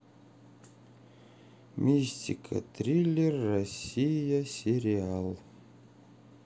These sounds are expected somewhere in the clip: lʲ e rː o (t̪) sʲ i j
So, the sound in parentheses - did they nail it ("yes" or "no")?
no